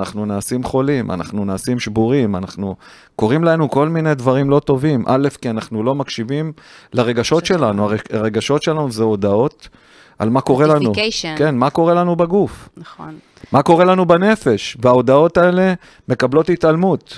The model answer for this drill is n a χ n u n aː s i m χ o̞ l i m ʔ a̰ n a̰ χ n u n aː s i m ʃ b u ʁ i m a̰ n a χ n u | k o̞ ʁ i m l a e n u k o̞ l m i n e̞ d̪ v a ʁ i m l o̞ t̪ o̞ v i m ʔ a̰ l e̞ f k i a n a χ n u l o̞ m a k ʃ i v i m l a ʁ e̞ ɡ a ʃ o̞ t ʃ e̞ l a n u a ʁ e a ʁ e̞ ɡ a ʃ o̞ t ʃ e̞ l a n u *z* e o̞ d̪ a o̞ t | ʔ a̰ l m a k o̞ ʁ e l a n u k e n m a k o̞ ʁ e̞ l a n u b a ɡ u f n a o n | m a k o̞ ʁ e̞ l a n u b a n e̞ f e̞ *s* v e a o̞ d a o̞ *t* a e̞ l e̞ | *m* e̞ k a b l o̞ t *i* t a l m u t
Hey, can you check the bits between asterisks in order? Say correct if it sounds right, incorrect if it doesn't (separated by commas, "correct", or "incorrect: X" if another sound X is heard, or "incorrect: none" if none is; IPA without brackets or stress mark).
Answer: correct, incorrect: ʃ, correct, correct, correct